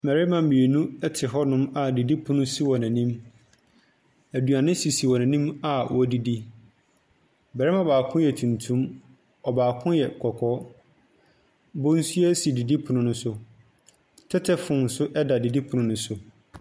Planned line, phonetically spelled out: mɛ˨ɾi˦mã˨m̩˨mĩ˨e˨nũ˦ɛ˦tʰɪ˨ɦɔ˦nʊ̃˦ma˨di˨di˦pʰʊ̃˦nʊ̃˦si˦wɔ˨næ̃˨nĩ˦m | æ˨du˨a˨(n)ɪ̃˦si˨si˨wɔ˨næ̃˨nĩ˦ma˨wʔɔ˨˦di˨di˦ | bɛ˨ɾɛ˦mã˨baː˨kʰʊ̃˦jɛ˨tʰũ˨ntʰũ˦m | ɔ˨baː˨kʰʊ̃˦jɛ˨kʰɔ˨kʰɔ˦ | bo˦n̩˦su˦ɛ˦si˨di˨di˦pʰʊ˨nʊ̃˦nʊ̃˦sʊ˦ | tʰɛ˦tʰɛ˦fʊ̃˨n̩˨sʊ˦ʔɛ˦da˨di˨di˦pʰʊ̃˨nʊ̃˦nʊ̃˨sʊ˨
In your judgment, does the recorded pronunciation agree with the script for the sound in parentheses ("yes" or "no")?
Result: yes